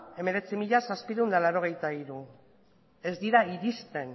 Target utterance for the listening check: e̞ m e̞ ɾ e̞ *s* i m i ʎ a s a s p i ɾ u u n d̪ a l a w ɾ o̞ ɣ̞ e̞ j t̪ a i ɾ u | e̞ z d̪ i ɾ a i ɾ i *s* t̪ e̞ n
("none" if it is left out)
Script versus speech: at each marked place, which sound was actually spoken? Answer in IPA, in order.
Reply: t͡s, s

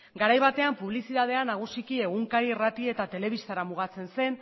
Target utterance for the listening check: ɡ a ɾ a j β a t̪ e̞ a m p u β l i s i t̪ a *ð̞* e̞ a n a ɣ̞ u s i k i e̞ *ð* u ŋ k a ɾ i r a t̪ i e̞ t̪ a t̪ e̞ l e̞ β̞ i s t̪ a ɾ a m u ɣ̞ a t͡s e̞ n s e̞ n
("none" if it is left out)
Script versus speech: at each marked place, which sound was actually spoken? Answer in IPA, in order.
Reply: ð̞, ɣ

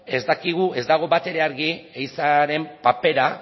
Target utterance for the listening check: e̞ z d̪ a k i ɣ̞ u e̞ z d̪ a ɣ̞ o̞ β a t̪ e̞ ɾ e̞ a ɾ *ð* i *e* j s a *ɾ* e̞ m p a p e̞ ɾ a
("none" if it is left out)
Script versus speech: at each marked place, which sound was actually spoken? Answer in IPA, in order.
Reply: ɣ, e, ɾ

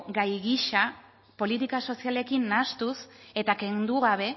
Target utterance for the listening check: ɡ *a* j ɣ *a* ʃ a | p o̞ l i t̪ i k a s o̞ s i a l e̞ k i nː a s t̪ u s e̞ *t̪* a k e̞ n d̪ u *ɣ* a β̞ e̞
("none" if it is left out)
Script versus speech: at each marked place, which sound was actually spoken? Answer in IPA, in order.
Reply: a, i, t̪, ɣ

